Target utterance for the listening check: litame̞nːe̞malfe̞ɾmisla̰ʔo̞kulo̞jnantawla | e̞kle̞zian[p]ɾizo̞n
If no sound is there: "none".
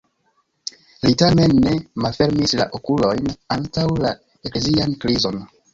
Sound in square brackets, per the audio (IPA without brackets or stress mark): k